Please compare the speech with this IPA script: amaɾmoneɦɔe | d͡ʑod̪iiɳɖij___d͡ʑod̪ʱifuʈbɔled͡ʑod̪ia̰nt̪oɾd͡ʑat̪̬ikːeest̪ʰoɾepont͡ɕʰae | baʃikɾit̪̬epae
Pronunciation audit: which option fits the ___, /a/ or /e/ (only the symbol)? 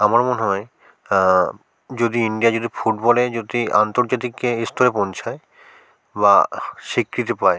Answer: a